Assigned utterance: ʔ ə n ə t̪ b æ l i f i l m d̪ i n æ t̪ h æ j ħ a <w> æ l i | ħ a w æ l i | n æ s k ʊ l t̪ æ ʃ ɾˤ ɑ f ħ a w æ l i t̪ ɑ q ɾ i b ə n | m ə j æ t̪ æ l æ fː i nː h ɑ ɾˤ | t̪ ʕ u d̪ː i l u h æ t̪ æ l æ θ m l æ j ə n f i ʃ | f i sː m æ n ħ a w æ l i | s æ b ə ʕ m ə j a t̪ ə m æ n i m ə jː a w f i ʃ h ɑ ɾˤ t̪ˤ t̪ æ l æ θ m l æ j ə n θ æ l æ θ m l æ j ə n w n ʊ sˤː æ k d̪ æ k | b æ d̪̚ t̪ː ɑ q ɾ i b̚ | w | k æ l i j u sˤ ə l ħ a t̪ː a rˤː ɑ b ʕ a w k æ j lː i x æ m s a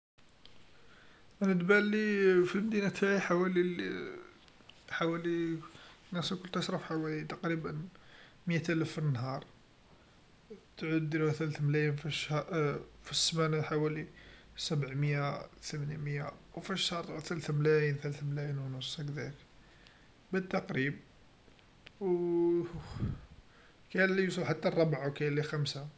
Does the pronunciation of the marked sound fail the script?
no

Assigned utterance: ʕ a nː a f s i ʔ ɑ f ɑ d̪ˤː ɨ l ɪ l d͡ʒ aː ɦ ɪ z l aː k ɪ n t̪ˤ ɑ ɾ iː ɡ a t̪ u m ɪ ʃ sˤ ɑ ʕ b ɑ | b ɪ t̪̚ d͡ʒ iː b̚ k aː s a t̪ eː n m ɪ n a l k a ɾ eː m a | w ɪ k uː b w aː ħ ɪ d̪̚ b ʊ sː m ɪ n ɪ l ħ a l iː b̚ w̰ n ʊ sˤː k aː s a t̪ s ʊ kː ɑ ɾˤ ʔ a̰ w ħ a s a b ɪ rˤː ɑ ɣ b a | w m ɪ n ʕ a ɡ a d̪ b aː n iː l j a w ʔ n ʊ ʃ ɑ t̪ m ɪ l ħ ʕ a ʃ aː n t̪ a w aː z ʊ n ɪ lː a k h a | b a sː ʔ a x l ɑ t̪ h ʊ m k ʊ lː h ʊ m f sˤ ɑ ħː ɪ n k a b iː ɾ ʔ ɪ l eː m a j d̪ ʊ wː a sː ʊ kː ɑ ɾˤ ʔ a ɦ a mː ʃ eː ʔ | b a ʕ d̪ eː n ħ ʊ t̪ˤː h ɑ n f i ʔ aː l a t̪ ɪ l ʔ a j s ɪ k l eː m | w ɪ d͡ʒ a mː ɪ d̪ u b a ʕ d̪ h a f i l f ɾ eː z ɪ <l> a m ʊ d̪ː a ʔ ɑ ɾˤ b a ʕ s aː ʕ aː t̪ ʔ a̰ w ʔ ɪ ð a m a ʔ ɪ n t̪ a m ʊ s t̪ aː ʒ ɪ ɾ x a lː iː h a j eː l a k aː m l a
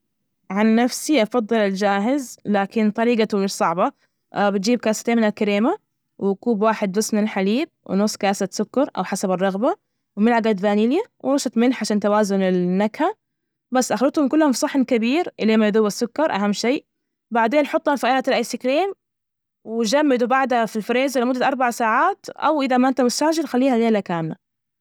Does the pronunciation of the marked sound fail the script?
no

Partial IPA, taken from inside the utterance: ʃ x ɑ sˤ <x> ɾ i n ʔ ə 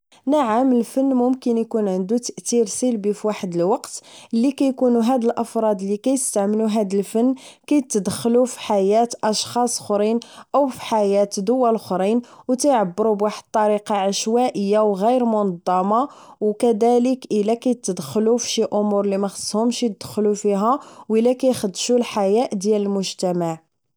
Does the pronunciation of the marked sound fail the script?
no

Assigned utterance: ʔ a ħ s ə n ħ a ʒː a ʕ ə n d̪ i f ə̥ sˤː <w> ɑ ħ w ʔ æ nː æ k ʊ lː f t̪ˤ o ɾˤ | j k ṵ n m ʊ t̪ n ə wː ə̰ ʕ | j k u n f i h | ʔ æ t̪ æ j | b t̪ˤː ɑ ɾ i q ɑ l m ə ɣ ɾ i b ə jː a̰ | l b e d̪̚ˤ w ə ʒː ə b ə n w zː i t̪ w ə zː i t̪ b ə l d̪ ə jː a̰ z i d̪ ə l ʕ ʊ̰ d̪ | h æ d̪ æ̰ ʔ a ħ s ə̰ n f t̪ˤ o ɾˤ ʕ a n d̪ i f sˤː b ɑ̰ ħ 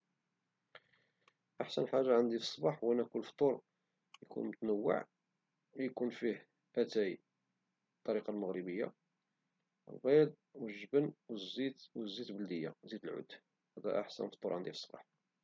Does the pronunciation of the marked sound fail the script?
yes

